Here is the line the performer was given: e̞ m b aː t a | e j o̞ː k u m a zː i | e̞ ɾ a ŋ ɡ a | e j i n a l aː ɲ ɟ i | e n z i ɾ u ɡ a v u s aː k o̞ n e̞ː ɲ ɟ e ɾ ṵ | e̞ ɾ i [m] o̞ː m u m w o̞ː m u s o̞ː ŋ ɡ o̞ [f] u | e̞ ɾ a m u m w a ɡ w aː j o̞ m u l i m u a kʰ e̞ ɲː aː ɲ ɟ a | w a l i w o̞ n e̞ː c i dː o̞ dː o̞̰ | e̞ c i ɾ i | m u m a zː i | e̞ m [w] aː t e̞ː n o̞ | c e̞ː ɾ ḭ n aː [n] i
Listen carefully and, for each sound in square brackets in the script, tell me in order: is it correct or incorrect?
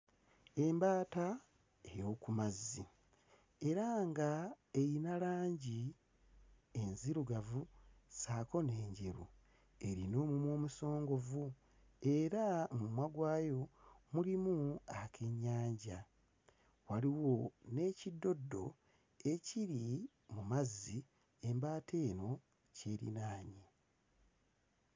incorrect, incorrect, incorrect, incorrect

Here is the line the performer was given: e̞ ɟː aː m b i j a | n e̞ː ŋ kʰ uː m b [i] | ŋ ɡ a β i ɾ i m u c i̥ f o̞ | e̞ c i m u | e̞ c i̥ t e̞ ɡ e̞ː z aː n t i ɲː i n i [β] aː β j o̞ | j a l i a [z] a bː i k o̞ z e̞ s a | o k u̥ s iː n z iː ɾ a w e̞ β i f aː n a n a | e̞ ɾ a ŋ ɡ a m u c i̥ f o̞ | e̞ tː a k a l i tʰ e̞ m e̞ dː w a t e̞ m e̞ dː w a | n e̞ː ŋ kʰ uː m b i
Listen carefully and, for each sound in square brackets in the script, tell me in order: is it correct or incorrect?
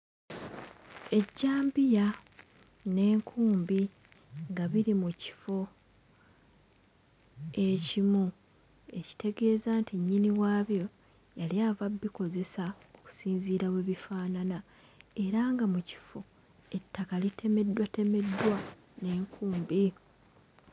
correct, incorrect, incorrect

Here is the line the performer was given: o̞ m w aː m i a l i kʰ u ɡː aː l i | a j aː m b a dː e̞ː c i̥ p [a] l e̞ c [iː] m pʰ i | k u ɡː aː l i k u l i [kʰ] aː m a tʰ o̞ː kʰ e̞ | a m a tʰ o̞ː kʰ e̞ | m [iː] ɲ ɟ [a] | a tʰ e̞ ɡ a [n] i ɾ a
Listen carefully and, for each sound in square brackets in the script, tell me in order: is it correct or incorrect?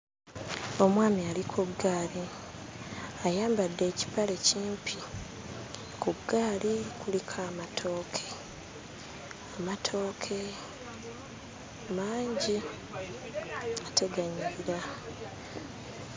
correct, correct, correct, incorrect, incorrect, incorrect

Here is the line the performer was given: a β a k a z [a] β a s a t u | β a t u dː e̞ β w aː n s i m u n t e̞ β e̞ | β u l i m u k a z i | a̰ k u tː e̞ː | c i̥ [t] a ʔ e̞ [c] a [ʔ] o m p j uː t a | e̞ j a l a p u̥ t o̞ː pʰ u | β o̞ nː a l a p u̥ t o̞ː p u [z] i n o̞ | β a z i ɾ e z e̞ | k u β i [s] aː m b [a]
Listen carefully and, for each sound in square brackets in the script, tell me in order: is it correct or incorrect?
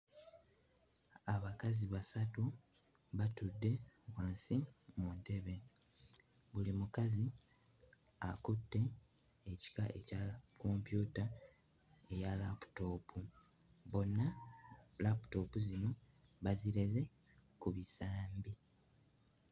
incorrect, incorrect, correct, incorrect, correct, correct, incorrect

